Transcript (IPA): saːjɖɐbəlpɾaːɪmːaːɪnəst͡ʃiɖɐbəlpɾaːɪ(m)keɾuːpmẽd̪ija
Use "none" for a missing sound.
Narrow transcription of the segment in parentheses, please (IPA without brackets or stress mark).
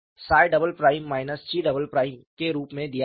m